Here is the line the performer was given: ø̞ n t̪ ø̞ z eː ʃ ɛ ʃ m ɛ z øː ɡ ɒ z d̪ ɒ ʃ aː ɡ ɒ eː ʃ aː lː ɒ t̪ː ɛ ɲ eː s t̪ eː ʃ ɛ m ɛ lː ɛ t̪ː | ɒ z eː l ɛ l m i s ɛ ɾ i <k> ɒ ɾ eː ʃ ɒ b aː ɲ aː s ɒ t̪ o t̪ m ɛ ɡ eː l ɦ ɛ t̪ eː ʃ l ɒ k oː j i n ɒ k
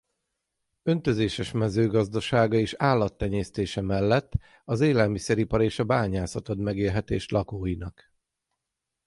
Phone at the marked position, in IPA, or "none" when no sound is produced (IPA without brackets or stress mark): p